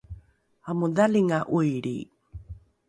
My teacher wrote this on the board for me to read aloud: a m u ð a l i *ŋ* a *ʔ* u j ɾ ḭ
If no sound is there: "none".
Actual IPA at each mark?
ŋ, ʔ

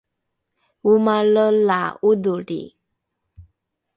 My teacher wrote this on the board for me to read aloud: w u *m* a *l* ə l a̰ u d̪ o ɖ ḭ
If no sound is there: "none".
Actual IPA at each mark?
m, l

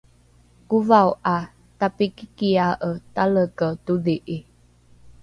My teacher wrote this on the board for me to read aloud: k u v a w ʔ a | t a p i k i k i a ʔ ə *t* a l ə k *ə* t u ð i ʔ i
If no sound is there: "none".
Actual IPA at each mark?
t, ə

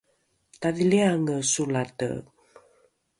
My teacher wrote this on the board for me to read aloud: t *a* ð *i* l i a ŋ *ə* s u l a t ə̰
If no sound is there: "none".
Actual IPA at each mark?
a, i, ə

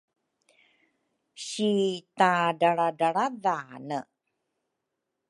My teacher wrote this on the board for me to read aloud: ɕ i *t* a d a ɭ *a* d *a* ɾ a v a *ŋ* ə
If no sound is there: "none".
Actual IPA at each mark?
t, a, a, n

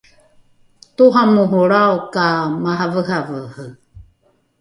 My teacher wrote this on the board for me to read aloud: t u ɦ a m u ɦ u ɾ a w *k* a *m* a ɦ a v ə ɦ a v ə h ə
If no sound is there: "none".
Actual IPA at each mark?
k, m

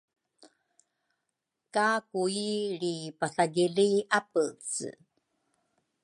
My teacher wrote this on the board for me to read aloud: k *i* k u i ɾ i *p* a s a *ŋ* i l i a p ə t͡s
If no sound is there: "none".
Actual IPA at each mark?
a, p, ɡ

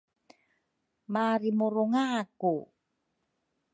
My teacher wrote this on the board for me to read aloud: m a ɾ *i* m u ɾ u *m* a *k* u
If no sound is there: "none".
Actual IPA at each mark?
i, ŋ, k

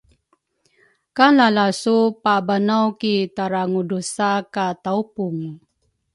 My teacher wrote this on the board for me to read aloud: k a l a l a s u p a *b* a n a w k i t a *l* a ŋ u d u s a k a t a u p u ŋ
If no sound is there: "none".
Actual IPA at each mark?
b, ɾ

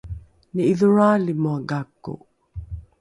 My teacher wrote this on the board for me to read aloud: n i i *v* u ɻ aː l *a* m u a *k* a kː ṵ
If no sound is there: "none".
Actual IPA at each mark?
ð, i, ɡ

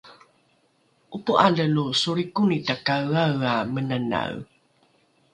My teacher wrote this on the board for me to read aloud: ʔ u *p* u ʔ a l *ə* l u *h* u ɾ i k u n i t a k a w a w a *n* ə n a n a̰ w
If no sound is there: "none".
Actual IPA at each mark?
p, ə, s, m

